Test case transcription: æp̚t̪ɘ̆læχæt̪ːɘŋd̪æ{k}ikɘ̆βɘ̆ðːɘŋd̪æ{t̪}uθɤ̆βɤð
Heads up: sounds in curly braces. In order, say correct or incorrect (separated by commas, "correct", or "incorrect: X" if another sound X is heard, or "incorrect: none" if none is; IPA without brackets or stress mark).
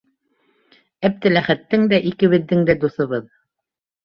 incorrect: ʔ, incorrect: d̪